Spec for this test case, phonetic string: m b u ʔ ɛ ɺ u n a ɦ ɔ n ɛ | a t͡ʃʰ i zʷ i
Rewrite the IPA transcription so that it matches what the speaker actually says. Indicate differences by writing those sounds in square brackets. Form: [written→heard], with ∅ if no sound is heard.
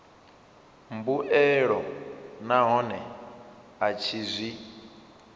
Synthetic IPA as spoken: m b u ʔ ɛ ɺ [u→ɔ] n a ɦ ɔ n ɛ | a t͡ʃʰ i zʷ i